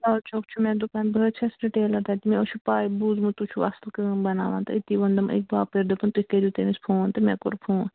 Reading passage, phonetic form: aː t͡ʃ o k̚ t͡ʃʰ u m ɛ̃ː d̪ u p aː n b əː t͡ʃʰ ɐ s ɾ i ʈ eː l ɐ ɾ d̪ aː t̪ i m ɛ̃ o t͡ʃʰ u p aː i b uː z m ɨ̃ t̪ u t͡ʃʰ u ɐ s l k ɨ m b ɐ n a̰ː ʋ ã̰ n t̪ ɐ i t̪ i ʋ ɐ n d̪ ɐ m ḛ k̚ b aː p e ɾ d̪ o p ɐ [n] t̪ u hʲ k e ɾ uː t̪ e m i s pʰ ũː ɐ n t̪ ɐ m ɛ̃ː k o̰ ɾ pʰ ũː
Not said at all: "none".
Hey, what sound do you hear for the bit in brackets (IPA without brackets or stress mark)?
n